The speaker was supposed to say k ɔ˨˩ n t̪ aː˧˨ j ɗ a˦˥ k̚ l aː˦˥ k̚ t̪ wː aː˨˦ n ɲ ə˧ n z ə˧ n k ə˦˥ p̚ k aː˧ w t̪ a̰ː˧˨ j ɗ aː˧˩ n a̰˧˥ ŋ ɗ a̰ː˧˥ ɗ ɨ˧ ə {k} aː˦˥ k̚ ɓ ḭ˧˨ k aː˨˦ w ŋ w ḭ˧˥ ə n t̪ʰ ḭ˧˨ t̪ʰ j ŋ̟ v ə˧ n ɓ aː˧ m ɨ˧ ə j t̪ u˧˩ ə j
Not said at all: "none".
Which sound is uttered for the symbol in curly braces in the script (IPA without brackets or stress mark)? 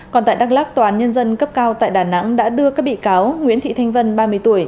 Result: k